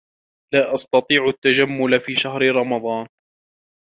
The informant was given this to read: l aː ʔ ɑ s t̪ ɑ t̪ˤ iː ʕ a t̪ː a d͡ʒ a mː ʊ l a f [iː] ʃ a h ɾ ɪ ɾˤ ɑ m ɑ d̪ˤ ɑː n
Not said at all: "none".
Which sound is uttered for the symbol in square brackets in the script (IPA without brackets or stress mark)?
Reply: iː